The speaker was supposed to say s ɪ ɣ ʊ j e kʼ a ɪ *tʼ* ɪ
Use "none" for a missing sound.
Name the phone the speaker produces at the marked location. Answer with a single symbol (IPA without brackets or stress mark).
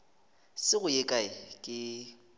kʼ